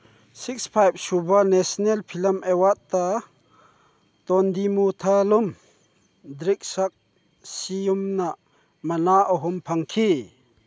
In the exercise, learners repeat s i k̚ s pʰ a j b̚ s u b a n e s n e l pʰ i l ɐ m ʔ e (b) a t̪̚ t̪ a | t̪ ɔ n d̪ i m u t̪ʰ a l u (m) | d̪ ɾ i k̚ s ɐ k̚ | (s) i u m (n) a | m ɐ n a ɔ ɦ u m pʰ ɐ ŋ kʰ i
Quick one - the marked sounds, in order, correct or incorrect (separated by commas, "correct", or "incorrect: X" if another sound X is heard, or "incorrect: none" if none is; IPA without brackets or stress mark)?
incorrect: w, correct, correct, correct